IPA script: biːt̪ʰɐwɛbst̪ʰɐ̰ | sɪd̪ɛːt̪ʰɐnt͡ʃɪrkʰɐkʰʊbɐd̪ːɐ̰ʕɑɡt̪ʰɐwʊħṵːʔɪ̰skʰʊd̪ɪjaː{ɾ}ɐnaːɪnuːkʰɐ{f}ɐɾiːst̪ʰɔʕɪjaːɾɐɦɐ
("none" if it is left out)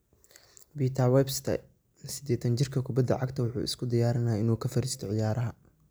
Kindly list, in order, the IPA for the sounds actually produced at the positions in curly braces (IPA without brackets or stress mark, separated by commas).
ɾ, f